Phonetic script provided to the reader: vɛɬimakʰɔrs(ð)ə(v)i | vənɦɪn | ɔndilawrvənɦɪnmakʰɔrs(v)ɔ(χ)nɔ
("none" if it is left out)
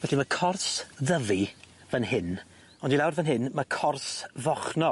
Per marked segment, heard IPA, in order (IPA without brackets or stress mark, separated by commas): ð, v, v, χ